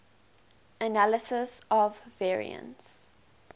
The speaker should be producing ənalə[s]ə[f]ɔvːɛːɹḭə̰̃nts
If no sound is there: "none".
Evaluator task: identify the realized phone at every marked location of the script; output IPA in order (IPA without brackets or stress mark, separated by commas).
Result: s, s